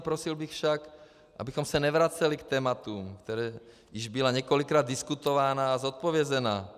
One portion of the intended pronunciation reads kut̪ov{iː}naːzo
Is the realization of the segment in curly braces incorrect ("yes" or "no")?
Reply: yes